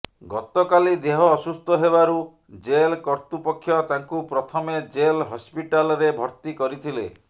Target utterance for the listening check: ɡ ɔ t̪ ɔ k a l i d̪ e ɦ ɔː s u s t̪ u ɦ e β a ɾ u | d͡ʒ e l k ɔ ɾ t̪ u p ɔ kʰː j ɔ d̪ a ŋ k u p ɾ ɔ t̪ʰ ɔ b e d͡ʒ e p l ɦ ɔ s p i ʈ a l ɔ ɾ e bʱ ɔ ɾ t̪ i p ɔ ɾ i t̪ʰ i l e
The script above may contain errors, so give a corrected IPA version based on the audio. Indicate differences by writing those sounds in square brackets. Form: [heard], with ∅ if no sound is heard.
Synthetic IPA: ɡ ɔ t̪ ɔ k a l i d̪ e ɦ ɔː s u s t̪ [ɔ] ɦ e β a ɾ u | d͡ʒ e l k ɔ ɾ t̪ u p ɔ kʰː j ɔ [t̪] a ŋ k u p ɾ ɔ t̪ʰ ɔ [m] e d͡ʒ e [∅] l ɦ ɔ s p i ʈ a l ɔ ɾ e bʱ ɔ ɾ t̪ i [k] ɔ ɾ i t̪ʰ i l e